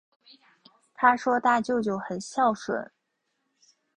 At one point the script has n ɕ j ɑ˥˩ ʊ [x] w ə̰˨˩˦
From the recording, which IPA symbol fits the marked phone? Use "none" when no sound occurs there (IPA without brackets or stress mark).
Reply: ʂ